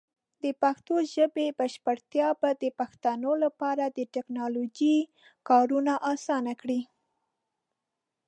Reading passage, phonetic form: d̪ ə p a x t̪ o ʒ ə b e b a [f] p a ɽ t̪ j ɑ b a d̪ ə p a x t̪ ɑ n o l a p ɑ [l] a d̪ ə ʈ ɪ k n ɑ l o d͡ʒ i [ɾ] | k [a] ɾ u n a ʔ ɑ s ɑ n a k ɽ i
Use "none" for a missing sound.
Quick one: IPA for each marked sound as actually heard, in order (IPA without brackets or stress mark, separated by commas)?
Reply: ʃ, ɾ, none, ɑ